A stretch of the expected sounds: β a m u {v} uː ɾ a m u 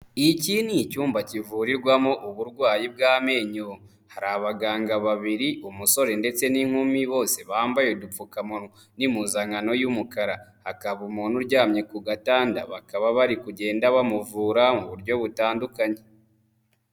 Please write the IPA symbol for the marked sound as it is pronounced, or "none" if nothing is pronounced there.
v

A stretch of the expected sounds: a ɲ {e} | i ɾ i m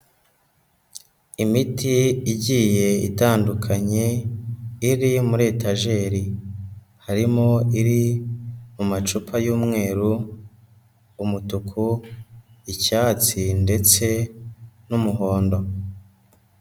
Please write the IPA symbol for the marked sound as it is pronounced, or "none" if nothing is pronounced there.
e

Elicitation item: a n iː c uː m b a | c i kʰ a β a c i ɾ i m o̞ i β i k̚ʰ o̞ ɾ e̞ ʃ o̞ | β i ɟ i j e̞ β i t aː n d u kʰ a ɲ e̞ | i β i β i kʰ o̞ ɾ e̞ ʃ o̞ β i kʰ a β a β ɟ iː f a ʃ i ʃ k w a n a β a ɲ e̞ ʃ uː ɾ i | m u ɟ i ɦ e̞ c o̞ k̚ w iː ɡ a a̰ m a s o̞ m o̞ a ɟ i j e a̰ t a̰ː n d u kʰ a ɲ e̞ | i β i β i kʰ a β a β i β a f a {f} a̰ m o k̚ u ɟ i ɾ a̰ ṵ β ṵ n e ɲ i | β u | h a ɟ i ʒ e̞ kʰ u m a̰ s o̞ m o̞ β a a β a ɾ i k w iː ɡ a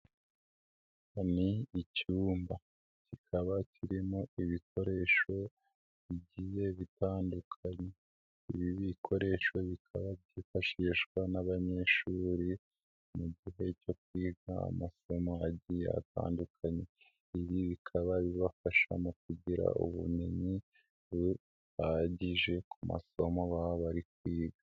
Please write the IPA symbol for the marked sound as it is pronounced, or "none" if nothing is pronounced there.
ʃ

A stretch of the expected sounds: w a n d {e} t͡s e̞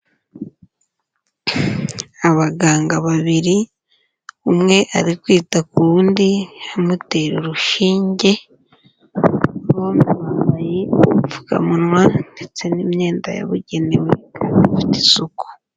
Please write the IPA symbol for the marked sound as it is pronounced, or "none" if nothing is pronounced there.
e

